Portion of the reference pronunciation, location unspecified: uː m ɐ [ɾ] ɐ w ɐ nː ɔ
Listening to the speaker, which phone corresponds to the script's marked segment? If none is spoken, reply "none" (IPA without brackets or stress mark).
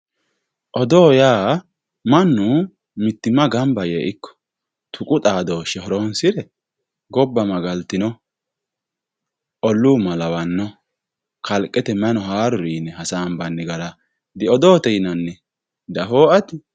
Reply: l